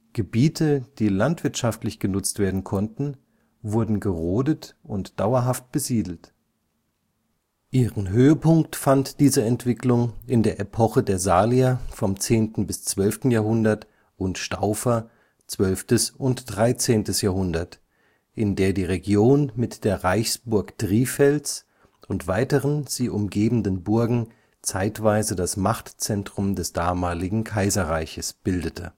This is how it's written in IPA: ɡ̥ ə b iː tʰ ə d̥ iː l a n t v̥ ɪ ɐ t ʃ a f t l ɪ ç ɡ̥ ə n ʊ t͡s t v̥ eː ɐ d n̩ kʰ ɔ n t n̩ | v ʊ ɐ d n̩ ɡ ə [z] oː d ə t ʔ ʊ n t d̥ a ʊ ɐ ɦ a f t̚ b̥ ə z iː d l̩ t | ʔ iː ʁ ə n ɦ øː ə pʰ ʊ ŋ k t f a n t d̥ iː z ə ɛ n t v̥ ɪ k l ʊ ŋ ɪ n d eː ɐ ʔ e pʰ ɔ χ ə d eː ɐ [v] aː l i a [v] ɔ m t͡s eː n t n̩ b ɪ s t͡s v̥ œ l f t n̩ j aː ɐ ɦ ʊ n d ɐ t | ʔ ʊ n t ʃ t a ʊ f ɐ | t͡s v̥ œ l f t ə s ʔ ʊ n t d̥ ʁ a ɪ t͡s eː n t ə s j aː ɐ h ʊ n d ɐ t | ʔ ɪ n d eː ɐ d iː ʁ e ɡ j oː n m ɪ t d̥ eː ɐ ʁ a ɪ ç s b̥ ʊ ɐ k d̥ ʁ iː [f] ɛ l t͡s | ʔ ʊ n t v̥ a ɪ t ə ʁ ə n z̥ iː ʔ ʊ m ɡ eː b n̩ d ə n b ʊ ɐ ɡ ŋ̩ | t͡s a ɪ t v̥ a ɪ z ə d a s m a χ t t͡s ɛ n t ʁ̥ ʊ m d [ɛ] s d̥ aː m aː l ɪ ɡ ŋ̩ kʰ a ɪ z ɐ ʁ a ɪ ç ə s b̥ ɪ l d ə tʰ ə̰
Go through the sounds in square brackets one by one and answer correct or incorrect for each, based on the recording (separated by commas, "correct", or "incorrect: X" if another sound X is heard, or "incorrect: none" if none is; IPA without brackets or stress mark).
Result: incorrect: ʁ, incorrect: z, incorrect: f, correct, correct